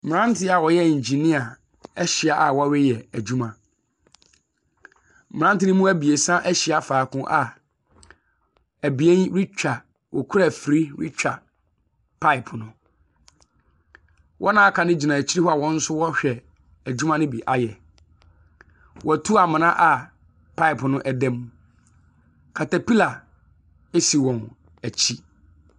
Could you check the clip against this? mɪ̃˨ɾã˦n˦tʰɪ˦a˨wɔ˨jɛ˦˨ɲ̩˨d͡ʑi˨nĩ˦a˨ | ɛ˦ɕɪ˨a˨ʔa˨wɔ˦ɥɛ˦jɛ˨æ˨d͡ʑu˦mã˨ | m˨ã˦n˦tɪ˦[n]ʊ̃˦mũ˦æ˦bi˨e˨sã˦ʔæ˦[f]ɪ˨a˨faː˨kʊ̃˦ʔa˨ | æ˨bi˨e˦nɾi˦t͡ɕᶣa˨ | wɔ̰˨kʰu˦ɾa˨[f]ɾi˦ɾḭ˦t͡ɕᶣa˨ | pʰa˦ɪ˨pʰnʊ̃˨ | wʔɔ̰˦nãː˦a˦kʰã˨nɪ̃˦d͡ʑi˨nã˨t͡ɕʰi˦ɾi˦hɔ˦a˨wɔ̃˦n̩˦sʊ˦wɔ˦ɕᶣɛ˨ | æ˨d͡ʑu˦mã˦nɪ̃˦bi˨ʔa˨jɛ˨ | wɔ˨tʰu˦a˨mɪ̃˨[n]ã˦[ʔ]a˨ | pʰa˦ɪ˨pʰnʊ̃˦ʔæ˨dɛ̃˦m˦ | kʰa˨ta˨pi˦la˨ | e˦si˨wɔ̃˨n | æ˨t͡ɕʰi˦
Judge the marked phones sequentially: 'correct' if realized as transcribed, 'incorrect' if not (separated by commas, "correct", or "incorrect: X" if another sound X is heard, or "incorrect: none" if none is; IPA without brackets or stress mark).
correct, incorrect: ɕ, correct, correct, correct